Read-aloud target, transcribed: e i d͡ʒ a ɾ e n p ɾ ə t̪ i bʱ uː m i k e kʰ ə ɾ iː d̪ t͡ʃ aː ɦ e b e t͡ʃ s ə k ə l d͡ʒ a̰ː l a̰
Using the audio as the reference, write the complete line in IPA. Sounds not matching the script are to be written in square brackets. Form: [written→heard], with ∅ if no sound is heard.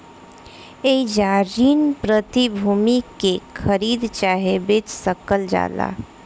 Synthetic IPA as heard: e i d͡ʒ a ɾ [e→i] n p ɾ ə t̪ i bʱ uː m i k e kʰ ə ɾ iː d̪ t͡ʃ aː ɦ e b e t͡ʃ s ə k ə l d͡ʒ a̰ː l a̰